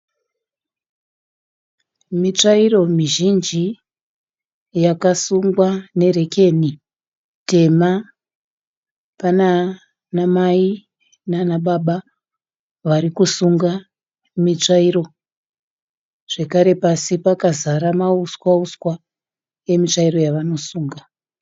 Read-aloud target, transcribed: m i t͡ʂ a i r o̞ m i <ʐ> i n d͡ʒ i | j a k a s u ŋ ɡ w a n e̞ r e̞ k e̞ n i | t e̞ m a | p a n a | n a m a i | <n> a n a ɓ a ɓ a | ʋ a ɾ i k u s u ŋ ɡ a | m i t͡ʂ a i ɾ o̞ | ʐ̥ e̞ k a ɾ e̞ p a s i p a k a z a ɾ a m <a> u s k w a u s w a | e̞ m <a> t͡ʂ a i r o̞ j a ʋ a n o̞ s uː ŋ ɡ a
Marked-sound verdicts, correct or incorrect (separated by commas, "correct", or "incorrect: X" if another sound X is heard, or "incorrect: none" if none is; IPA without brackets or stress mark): incorrect: ʒ, correct, correct, incorrect: i